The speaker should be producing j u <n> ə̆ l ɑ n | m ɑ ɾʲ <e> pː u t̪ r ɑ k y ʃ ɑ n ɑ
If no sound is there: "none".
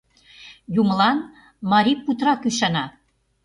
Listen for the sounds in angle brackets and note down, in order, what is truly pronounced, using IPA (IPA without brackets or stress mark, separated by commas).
m, i